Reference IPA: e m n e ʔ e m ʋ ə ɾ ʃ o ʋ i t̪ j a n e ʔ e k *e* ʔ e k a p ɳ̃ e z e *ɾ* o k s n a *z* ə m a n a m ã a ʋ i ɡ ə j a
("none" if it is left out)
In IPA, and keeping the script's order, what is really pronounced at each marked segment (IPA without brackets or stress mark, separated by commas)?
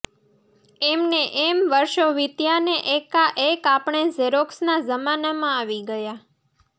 a, ɾ, z